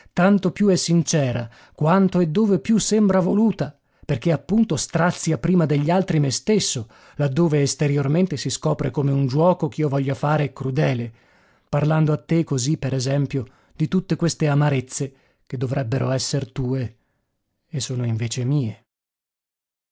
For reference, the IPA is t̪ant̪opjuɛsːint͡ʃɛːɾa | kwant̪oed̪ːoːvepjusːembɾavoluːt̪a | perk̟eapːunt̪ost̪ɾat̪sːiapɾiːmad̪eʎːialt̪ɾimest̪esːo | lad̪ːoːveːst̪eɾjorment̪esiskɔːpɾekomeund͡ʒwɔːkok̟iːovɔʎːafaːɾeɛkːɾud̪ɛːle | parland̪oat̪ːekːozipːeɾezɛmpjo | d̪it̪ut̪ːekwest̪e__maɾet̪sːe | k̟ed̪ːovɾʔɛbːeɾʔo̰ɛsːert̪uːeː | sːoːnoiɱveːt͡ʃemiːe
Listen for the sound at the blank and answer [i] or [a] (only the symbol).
a